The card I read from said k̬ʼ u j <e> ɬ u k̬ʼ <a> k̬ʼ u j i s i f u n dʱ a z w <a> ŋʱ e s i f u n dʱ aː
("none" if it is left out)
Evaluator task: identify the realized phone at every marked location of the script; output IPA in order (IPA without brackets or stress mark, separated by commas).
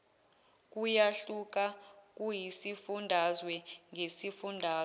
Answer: a, a, ɛ